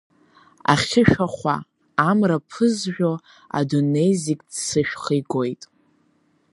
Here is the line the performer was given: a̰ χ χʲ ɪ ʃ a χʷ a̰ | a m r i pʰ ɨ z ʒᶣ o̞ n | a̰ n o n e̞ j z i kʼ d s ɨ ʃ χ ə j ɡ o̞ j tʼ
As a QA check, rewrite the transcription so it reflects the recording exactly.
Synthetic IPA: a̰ χ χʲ ɪ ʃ a χʷ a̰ | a m r a pʰ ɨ z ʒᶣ o̞ | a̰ d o n e̞ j z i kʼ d s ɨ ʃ χ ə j ɡ o̞ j tʼ